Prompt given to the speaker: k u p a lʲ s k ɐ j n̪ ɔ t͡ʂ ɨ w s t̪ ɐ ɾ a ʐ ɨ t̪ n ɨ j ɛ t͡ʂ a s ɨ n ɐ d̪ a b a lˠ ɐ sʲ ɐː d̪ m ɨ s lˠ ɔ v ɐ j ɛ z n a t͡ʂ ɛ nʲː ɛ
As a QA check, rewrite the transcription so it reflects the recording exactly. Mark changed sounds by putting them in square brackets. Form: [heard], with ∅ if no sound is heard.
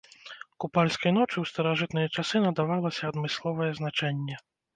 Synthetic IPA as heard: k u p a lʲ s k ɐ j n̪ ɔ t͡ʂ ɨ w s t̪ ɐ ɾ a ʐ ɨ t̪ n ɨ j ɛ t͡ʂ a s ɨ n ɐ d̪ a [v] a lˠ ɐ sʲ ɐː d̪ m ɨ s lˠ ɔ v ɐ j ɛ z n a t͡ʂ ɛ nʲː ɛ